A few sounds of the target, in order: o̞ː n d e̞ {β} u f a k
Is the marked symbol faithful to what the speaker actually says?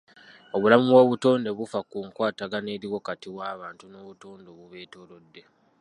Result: yes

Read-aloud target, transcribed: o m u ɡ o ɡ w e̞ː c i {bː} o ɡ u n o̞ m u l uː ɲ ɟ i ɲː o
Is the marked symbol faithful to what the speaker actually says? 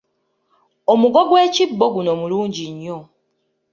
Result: yes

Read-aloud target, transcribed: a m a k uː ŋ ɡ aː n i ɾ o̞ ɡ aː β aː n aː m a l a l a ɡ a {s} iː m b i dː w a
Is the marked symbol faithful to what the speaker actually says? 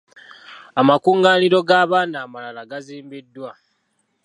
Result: no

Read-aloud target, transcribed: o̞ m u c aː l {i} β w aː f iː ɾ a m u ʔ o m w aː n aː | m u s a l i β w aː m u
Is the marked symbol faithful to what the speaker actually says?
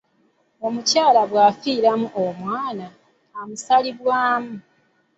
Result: no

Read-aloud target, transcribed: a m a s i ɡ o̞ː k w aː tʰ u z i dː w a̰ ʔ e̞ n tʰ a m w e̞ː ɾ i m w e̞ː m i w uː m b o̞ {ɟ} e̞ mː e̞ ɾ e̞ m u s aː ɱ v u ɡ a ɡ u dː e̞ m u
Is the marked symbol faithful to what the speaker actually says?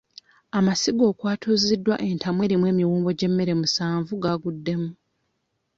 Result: yes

